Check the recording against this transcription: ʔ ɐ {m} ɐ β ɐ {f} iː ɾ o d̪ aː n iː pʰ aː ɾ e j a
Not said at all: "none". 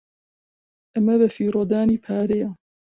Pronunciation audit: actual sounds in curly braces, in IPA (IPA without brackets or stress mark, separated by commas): m, f